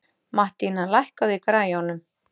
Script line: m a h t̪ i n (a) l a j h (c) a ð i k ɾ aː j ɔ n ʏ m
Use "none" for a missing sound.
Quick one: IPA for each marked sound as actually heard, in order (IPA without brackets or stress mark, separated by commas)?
a, k